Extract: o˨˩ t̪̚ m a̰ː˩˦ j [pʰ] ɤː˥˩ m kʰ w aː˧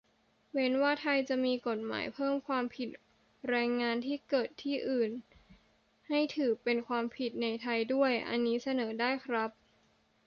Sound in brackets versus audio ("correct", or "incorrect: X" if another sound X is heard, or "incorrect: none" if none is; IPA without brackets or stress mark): correct